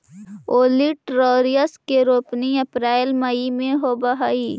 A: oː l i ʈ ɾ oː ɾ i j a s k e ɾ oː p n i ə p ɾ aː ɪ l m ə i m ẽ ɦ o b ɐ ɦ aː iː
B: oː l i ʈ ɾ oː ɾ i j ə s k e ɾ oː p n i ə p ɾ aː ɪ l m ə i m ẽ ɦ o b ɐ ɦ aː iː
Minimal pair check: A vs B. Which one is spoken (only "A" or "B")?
B